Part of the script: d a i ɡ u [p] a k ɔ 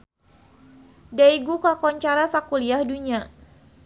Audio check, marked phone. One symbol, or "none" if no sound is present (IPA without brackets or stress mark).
k